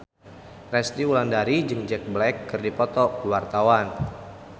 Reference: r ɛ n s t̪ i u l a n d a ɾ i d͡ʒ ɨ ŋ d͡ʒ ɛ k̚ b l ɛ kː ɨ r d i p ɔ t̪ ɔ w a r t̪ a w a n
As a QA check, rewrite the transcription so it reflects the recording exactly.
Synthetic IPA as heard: r ɛ s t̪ i u l a n d a ɾ i d͡ʒ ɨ ŋ d͡ʒ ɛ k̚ b l ɛ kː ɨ r d i p ɔ t̪ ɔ w a r t̪ a w a n